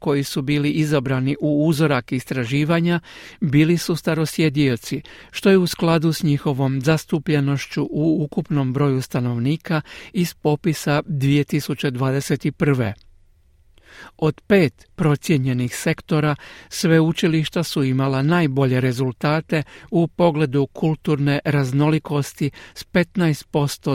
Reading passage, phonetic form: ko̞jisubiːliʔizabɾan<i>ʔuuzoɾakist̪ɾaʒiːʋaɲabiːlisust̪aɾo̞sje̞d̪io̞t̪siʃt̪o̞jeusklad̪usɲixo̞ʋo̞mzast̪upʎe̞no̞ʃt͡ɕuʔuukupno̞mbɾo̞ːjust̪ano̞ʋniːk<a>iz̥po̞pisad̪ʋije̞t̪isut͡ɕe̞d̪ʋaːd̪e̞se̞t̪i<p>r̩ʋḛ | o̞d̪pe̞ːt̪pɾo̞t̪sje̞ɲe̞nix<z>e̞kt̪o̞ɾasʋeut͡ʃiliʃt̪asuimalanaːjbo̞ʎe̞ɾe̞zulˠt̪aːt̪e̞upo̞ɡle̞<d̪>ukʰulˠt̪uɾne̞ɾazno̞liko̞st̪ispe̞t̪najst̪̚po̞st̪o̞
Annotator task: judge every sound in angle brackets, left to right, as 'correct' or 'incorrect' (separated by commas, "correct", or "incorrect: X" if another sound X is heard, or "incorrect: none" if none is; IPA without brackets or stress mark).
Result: correct, correct, correct, incorrect: s, correct